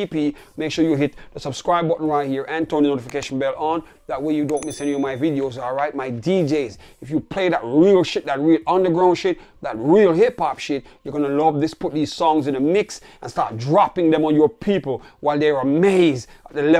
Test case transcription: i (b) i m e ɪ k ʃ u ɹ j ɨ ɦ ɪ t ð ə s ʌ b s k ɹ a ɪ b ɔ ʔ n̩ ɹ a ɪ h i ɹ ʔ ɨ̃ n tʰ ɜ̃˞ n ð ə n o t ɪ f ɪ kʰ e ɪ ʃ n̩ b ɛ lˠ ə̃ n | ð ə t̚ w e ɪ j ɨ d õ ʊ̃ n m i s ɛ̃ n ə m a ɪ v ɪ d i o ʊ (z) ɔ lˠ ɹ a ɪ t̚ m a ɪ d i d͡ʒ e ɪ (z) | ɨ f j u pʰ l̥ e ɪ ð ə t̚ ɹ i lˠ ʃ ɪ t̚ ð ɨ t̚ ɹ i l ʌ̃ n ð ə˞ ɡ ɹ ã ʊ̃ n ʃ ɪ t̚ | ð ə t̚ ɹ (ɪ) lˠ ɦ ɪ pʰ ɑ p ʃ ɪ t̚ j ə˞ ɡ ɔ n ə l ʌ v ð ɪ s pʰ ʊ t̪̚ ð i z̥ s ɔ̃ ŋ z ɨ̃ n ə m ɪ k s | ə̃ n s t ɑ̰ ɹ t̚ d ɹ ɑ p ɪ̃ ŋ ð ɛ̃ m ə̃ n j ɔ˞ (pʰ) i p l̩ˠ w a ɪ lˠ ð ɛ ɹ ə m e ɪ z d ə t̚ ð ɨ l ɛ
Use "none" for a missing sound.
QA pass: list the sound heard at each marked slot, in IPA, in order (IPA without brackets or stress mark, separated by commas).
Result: p, z, z, i, pʰ